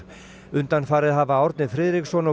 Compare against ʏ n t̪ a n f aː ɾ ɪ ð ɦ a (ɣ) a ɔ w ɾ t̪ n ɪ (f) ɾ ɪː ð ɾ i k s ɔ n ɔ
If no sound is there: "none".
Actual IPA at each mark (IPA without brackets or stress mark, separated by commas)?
v, f